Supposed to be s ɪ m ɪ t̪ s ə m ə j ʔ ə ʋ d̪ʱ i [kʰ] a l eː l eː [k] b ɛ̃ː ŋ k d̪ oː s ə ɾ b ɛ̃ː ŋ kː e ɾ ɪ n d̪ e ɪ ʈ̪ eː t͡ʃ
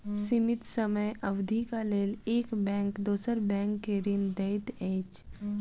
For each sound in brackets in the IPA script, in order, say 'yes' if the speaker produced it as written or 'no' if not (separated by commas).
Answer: no, yes